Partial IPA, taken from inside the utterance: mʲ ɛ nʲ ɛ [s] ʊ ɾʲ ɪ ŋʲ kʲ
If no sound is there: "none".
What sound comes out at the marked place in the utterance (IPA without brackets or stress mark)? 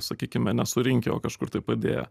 s